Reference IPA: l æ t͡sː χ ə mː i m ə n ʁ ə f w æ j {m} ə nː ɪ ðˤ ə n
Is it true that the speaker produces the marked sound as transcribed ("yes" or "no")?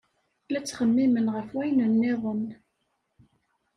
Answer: no